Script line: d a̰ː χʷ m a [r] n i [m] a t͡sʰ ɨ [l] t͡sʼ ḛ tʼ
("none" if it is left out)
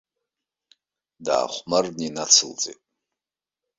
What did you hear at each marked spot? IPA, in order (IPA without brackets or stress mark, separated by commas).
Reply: r, n, l